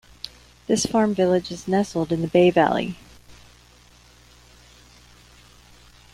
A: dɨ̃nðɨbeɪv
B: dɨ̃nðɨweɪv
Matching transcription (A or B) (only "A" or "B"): A